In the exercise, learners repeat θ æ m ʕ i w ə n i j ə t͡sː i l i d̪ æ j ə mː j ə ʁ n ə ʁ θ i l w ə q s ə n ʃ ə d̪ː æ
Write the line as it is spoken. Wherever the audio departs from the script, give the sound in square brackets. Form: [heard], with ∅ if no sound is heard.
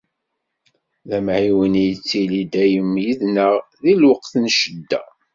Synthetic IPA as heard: [ð] æ m ʕ i w ə n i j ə t͡sː i l i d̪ æ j ə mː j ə [ð] n ə ʁ [ð] i l w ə q [θ] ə n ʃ ə d̪ː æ